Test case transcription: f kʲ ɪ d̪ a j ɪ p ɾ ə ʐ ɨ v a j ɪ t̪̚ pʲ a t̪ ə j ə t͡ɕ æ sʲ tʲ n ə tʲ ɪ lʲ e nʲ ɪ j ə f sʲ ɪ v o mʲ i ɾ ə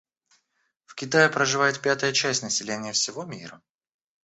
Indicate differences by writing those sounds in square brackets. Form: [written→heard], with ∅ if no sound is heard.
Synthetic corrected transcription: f kʲ ɪ [d̪→t̪] a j ɪ p ɾ ə ʐ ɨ v a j ɪ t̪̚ pʲ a t̪ ə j ə t͡ɕ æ sʲ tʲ n ə [tʲ→sʲ] ɪ lʲ e nʲ ɪ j ə f sʲ ɪ v o mʲ i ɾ ə